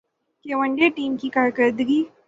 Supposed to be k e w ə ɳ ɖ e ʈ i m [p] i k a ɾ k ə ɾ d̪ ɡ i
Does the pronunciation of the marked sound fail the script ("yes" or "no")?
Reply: yes